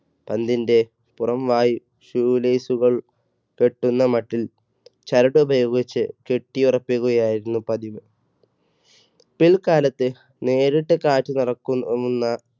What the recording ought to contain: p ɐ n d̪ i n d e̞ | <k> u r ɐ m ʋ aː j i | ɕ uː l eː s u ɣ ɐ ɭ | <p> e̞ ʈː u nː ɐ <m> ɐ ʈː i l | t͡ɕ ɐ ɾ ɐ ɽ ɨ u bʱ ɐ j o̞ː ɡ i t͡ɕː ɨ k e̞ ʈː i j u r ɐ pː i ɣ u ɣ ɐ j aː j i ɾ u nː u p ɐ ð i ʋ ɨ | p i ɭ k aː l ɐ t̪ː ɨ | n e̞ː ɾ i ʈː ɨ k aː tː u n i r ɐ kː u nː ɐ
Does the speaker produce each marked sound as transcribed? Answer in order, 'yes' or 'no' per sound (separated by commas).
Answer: no, no, yes